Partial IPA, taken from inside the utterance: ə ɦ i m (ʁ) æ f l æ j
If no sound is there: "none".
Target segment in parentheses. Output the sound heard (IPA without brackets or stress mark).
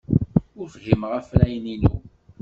ʁ